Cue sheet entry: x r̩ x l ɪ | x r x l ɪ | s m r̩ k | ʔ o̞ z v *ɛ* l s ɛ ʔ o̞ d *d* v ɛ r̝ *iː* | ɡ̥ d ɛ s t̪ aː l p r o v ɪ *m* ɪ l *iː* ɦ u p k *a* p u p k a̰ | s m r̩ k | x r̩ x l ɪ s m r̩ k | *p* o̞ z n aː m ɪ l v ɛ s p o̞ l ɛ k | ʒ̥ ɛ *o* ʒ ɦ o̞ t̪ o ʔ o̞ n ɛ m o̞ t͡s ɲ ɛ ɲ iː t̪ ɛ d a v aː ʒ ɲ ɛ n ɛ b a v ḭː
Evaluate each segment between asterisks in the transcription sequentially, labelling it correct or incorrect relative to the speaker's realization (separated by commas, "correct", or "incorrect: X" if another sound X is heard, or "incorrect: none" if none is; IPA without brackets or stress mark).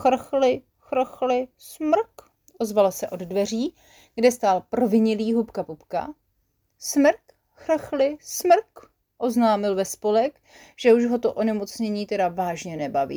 incorrect: a, correct, correct, incorrect: ɲ, correct, correct, incorrect: ʔ, incorrect: u